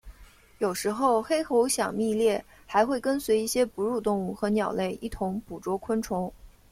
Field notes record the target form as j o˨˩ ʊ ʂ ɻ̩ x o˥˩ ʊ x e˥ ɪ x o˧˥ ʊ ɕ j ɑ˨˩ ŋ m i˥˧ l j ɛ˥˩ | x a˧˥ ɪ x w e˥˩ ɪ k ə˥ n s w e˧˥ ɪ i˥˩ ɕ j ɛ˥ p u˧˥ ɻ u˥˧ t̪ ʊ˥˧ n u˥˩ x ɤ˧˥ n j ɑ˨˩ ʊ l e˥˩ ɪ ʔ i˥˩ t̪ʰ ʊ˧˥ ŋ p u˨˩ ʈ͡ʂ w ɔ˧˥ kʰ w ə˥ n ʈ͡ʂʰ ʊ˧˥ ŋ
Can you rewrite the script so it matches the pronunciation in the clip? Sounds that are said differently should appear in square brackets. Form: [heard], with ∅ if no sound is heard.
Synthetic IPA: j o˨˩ ʊ ʂ ɻ̩ x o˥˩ ʊ x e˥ ɪ x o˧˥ ʊ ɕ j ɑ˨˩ ŋ m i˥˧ l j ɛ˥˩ | x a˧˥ ɪ x w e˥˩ ɪ k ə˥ n s w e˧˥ ɪ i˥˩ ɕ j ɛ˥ p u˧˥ ɻ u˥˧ t̪ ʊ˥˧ [ŋ] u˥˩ x ɤ˧˥ n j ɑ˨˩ ʊ l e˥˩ ɪ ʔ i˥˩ t̪ʰ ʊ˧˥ ŋ p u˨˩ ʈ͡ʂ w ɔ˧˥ kʰ w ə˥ n ʈ͡ʂʰ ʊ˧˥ ŋ